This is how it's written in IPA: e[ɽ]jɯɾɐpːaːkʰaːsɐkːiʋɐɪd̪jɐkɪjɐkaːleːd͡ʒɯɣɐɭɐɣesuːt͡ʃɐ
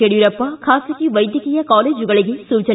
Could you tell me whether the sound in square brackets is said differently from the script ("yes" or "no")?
no